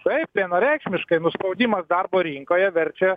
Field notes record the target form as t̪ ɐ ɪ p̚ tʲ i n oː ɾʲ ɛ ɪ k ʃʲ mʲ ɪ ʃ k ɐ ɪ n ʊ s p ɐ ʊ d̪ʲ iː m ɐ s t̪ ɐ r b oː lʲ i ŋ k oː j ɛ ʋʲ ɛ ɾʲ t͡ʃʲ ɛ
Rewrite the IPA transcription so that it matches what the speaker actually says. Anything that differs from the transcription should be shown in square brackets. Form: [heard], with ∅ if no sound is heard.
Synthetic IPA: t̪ ɐ ɪ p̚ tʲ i n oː ɾʲ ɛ ɪ k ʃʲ mʲ ɪ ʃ k ɐ ɪ n ʊ s p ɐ ʊ d̪ʲ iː m ɐ s [d̪] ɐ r b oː [ɾʲ] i ŋ k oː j ɛ ʋʲ ɛ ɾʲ t͡ʃʲ ɛ